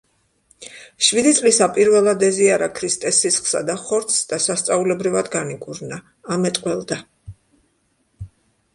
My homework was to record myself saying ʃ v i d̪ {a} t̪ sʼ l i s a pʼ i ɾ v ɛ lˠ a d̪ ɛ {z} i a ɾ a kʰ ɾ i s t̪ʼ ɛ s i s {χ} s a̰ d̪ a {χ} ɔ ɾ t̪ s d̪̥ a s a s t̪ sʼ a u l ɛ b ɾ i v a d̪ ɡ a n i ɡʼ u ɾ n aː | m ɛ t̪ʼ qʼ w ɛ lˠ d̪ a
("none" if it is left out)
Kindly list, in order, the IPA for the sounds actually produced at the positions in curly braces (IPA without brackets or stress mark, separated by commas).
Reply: i, z, χ, χ